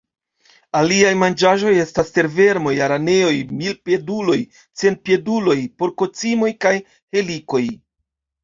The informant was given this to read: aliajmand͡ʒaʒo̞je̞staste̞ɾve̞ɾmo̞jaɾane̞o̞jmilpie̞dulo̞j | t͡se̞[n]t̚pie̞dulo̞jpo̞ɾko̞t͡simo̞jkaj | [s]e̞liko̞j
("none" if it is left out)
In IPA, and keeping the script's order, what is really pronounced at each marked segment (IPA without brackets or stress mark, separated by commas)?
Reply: n, h